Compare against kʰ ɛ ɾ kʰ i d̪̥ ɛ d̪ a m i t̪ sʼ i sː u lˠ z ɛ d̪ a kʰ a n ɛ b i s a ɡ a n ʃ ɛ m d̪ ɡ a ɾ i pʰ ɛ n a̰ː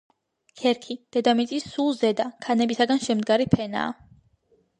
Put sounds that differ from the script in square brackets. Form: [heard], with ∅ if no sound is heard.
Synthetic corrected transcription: kʰ ɛ ɾ kʰ i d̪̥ ɛ d̪ a m i t̪ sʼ i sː u lˠ z ɛ d̪ a kʰ a n ɛ b i s a ɡ a n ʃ ɛ m d̪ ɡ a ɾ i pʰ ɛ n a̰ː